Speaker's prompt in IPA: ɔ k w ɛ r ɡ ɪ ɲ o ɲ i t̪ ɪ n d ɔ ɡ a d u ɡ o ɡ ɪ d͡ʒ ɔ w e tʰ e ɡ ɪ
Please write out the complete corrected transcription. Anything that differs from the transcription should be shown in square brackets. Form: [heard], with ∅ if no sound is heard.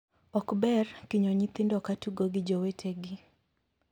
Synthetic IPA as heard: ɔ k [b] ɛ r [k] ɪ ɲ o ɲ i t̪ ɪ n d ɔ [k] a [t] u ɡ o ɡ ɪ d͡ʒ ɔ w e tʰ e ɡ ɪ